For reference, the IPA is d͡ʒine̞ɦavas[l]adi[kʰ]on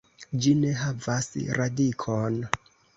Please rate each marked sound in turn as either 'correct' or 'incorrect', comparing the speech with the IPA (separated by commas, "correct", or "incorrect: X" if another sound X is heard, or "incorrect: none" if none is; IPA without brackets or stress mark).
incorrect: ɾ, correct